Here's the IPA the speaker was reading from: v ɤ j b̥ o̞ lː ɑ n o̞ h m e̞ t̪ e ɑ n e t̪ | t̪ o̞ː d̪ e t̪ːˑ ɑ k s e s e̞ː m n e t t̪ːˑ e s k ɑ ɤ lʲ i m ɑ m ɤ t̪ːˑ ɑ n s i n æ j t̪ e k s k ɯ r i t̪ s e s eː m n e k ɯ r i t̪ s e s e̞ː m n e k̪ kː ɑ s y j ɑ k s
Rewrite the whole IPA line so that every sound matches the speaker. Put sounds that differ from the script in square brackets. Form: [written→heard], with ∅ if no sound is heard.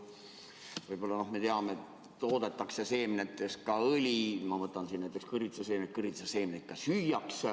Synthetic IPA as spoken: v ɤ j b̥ o̞ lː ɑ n o̞ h m e̞ t̪ e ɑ [n→m] e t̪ | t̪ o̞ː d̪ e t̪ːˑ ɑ k s e s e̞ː m n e t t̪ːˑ e s k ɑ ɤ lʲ i m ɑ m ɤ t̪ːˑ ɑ n s i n æ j t̪ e k s k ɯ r i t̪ s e s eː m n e k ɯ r i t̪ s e s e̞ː m n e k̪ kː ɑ s y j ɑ k s